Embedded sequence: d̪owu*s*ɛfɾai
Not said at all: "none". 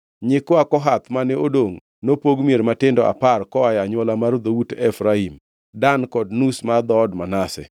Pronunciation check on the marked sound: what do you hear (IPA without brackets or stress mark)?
t